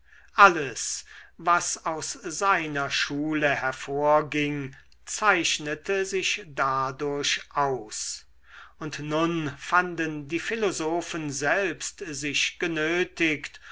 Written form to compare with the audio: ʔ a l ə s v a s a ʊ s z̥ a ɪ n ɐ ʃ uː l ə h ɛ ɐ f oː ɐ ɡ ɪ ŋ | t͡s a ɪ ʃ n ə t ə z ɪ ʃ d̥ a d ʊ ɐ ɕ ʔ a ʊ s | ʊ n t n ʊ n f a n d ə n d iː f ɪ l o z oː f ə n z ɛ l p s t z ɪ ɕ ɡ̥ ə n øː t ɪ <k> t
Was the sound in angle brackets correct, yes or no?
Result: yes